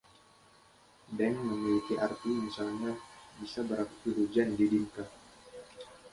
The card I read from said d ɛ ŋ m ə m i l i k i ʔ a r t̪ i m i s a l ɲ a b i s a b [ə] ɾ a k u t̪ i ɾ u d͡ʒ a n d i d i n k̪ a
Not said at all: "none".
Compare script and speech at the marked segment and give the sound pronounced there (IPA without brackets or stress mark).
ə